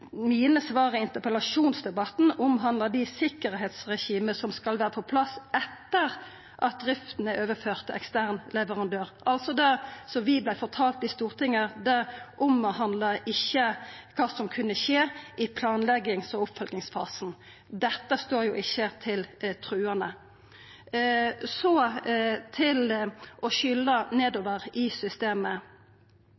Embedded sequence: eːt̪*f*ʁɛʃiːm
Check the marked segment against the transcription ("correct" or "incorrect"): incorrect